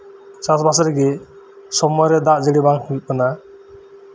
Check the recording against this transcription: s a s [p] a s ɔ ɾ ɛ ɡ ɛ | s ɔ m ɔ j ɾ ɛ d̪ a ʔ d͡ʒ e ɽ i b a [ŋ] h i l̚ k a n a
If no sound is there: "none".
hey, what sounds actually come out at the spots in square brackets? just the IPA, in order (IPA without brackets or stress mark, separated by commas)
b, ŋ